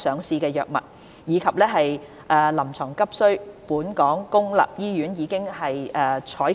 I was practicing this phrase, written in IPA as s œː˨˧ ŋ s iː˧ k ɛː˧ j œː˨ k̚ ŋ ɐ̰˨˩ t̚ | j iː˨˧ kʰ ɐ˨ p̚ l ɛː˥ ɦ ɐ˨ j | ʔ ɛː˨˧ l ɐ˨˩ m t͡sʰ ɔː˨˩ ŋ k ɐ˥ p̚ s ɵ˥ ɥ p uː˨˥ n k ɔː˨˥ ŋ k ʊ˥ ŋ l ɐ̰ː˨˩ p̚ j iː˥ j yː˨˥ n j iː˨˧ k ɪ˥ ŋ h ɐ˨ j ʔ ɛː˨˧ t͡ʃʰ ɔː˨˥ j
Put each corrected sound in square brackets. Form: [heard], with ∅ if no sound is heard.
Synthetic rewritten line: s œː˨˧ ŋ s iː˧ k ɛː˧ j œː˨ k̚ [m] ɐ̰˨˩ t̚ | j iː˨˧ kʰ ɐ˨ p̚ l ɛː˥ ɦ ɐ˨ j | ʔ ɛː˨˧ l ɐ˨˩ m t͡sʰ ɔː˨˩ ŋ k ɐ˥ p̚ s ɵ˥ ɥ p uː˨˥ n k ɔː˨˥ ŋ k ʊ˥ ŋ l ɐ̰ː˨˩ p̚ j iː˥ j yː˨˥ n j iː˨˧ k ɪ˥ ŋ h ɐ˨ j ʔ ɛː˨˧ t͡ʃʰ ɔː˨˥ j

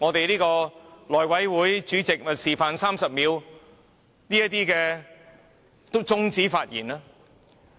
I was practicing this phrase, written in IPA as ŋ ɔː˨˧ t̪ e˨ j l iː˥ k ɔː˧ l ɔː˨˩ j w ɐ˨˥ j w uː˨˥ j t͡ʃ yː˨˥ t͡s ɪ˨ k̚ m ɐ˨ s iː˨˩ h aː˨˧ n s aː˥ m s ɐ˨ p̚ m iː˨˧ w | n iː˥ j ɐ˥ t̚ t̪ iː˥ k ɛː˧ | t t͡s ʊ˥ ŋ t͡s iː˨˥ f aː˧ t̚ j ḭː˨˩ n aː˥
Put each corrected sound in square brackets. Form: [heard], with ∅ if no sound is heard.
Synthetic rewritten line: ŋ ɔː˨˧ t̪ e˨ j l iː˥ k ɔː˧ l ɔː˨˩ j w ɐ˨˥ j w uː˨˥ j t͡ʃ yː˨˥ t͡s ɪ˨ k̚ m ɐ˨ s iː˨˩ [f] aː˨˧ n s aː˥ m s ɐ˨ p̚ m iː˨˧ w | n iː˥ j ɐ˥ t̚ t̪ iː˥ k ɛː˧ | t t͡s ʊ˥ ŋ t͡s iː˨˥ f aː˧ t̚ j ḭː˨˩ n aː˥

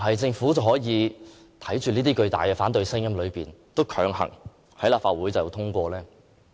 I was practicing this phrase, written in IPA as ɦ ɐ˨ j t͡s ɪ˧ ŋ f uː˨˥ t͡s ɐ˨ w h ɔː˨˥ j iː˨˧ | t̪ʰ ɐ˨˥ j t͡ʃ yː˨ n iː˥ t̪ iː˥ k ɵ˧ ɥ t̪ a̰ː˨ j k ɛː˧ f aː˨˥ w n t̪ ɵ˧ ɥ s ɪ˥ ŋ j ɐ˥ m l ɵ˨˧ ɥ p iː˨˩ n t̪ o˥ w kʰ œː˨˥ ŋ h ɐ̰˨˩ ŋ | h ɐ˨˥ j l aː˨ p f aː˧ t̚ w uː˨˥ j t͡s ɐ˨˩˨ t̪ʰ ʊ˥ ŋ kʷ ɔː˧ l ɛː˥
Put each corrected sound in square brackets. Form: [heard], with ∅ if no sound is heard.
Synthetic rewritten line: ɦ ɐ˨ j t͡s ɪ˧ ŋ f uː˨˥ t͡s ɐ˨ w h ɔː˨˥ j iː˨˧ | t̪ʰ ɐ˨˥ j t͡ʃ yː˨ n iː˥ t̪ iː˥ k ɵ˧ ɥ t̪ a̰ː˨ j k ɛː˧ f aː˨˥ [∅] n t̪ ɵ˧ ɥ s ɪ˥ ŋ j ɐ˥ m l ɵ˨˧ ɥ p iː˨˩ n t̪ o˥ w kʰ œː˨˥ ŋ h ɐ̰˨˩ ŋ | h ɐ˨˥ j l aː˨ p f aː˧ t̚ w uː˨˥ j t͡s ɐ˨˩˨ t̪ʰ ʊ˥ ŋ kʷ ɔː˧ l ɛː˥

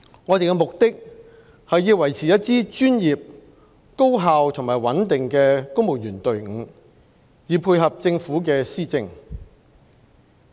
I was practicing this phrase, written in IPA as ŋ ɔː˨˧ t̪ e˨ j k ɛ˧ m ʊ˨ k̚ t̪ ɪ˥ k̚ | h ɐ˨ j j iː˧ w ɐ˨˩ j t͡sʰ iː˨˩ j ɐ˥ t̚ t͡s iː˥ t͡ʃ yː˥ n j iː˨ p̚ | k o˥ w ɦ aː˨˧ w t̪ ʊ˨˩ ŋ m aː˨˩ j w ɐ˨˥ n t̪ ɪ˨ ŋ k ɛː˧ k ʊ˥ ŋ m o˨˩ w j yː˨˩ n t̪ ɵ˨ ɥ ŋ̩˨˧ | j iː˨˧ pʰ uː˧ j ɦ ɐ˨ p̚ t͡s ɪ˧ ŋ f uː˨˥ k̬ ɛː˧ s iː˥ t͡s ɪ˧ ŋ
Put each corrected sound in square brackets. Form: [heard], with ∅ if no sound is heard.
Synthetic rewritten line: ŋ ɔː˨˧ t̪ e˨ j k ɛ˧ m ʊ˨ k̚ t̪ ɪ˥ k̚ | h ɐ˨ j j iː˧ w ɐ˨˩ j t͡sʰ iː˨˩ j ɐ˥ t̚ t͡s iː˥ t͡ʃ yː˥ n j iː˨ p̚ | k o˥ w ɦ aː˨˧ w [t̪ʰ] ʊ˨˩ ŋ m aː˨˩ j w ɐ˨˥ n t̪ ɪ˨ ŋ k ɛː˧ k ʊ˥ ŋ m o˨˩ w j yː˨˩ n t̪ ɵ˨ ɥ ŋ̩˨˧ | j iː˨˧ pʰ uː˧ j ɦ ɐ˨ p̚ t͡s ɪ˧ ŋ f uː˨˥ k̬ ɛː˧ s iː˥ t͡s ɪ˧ ŋ

